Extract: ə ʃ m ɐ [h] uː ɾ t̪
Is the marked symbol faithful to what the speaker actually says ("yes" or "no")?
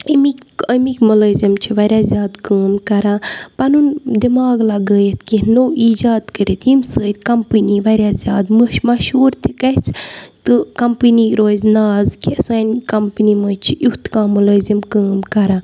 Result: no